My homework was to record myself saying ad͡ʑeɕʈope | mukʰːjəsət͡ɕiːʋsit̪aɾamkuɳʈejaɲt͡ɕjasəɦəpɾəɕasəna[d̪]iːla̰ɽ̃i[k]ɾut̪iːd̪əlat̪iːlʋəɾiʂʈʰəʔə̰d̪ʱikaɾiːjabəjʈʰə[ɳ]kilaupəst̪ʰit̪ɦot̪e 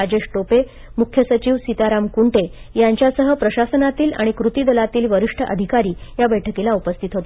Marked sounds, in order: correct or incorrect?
incorrect, correct, incorrect

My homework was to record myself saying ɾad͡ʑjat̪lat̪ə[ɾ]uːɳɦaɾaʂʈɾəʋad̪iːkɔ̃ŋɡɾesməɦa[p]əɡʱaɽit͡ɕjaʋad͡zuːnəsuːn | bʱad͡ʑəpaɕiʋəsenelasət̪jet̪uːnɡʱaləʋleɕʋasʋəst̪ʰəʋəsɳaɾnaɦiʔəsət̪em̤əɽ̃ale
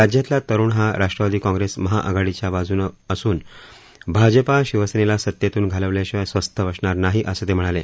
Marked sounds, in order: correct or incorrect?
correct, incorrect

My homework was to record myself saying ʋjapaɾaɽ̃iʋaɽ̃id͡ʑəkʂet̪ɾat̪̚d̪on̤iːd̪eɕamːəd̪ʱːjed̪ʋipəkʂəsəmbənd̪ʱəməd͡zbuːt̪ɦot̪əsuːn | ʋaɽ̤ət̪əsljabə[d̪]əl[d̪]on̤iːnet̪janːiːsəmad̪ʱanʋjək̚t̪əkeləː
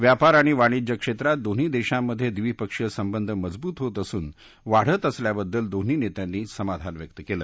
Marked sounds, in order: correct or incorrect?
incorrect, correct

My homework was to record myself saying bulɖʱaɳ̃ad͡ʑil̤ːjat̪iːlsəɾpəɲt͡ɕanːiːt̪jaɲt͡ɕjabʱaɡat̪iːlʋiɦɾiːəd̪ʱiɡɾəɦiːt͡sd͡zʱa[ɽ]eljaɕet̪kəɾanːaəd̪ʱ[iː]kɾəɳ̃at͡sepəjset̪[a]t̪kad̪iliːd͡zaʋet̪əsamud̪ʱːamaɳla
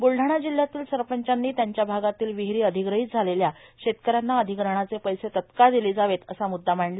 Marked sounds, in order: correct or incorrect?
incorrect, incorrect, incorrect

